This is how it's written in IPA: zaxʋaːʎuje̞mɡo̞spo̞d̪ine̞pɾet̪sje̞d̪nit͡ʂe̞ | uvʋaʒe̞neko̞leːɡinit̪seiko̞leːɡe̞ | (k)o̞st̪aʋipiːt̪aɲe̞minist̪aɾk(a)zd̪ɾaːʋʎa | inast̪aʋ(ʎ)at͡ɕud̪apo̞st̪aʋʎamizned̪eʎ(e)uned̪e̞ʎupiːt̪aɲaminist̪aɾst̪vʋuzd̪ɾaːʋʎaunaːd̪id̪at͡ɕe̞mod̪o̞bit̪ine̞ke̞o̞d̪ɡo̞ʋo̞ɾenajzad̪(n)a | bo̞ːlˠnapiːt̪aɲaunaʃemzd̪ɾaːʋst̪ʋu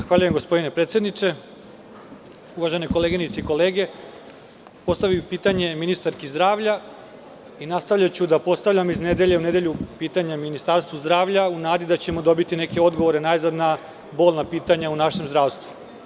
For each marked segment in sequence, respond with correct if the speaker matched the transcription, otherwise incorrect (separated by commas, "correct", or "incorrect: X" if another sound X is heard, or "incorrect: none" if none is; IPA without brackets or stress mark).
incorrect: p, incorrect: i, correct, correct, correct